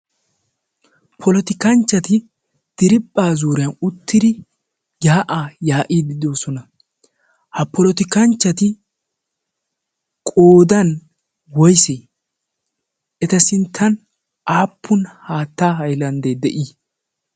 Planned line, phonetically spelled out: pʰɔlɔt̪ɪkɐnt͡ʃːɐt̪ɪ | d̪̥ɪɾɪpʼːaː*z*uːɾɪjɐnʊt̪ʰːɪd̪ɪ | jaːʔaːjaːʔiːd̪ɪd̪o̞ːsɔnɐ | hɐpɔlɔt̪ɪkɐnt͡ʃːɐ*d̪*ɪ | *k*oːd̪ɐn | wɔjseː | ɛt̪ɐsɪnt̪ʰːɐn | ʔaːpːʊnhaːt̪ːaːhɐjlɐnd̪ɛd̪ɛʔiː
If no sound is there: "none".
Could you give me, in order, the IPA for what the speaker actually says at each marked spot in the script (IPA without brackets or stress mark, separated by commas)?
z, t̪, kʼ